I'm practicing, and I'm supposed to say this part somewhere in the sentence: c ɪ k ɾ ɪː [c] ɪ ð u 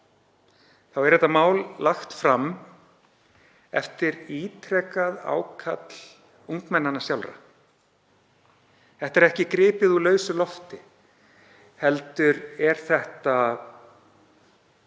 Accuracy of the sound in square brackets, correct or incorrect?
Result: incorrect